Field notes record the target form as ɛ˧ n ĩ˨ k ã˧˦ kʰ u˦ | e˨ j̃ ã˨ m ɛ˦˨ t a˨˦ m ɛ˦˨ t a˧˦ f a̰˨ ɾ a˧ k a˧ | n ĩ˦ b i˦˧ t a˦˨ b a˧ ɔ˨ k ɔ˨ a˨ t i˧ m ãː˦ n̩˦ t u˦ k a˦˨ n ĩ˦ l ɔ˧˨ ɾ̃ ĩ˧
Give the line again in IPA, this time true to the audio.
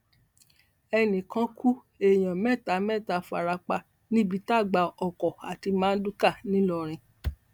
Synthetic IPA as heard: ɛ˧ n ĩ˨ k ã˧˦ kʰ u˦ | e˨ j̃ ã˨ m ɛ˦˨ t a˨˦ m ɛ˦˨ t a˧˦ f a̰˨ ɾ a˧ k͡p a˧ | n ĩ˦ b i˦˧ t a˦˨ ɡ͡b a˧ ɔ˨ k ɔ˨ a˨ t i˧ m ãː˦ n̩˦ d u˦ k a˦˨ n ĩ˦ l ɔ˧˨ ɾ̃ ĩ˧

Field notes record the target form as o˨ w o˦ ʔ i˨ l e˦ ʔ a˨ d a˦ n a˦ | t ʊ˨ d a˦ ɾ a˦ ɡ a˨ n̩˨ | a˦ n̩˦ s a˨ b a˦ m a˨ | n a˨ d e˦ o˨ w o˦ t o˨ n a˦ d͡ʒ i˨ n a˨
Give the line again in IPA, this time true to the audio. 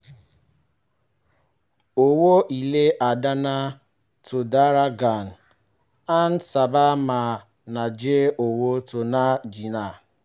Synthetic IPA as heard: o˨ w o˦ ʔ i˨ l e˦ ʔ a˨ d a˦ n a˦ | t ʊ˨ d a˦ ɾ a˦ ɡ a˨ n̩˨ | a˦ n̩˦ s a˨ b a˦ m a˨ | n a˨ d͡ʒ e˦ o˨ w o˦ t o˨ n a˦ d͡ʒ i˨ n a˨

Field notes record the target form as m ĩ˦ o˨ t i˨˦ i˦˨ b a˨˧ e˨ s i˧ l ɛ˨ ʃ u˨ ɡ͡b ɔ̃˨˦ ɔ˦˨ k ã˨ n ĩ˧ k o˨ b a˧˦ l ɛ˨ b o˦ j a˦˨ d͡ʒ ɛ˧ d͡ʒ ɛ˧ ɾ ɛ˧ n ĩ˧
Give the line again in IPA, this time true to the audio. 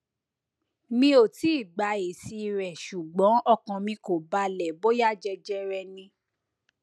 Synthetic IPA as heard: m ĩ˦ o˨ t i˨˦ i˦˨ ɡ͡b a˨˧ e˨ s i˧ ɾ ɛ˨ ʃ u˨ ɡ͡b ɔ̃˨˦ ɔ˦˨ k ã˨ m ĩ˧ k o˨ b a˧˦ l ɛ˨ b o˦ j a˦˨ d͡ʒ ɛ˧ d͡ʒ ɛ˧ ɾ ɛ˧ n ĩ˧

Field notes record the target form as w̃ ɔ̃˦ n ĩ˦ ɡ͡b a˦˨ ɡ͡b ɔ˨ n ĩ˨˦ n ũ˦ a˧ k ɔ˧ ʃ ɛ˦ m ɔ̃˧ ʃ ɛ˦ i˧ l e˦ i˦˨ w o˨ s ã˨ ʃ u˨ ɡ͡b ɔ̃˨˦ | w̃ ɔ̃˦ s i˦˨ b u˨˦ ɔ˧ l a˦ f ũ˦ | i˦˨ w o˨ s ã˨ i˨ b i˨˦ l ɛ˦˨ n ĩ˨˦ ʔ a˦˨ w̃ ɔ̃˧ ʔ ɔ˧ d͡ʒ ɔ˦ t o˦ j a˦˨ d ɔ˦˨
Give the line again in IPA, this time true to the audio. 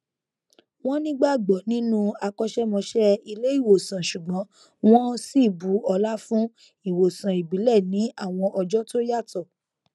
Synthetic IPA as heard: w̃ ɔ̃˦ n ĩ˦ ɡ͡b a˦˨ ɡ͡b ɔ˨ n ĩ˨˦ n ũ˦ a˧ k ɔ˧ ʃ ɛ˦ m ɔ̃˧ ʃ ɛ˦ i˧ l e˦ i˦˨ w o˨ s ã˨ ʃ u˨ ɡ͡b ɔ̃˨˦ | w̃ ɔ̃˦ s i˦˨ b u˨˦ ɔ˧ l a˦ f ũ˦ | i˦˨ w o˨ s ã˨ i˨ b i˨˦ l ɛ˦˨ n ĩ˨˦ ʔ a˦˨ w̃ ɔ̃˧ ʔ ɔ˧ d͡ʒ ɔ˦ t o˦ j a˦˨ t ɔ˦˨

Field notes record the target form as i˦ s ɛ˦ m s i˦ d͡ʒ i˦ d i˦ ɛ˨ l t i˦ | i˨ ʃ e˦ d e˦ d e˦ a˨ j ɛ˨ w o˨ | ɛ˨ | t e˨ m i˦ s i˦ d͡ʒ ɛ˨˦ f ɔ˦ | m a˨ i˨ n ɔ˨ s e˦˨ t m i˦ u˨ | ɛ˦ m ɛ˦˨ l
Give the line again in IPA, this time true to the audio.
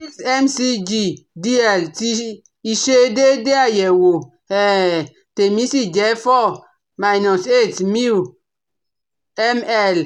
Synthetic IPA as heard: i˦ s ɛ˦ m s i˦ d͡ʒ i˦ d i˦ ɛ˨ l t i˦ | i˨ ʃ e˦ d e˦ d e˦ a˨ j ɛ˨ w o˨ | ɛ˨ | t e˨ m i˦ s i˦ d͡ʒ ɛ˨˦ f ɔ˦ | m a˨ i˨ n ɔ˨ s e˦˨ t m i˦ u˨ | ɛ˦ m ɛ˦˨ l

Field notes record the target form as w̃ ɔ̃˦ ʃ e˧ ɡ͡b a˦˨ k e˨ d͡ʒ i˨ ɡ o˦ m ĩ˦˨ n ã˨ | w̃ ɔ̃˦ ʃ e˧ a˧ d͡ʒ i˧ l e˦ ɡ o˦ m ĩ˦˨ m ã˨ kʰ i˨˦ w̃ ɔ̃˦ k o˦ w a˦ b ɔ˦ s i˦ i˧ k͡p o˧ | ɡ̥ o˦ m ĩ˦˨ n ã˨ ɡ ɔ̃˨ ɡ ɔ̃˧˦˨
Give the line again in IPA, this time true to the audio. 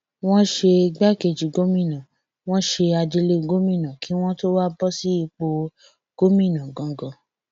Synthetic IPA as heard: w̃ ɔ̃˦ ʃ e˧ ɡ͡b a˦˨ k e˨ d͡ʒ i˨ ɡ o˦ m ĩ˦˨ n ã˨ | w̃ ɔ̃˦ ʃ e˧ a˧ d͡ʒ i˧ l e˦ ɡ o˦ m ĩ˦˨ n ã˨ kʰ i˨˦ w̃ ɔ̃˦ t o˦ w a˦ b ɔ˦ s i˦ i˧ k͡p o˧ | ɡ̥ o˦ m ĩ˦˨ n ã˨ ɡ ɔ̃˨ ɡ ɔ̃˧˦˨

